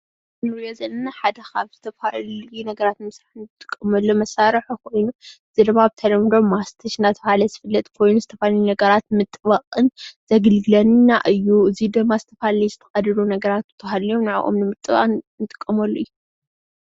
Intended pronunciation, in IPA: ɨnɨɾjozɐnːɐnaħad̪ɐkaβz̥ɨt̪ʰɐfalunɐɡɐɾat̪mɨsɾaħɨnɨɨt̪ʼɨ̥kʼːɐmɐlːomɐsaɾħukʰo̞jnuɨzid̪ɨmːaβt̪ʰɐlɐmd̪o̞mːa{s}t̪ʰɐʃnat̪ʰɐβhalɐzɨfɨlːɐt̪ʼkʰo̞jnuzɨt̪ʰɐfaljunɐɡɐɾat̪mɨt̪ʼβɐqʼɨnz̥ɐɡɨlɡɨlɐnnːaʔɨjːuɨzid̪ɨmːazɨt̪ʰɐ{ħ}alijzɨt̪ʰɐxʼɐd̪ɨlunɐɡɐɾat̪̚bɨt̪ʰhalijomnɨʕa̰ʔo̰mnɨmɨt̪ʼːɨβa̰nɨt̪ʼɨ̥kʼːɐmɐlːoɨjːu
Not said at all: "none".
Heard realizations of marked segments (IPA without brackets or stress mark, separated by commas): s, f